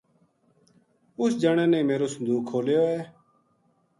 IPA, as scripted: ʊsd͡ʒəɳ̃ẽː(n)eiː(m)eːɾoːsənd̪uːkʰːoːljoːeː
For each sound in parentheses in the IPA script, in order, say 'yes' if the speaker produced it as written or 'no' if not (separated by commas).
yes, yes